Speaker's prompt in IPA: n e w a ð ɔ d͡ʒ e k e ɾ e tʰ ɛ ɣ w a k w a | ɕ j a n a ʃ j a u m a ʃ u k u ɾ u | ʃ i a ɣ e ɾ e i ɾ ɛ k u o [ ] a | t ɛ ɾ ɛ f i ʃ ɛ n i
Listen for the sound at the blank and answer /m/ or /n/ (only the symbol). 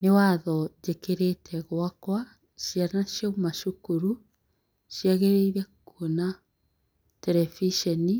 n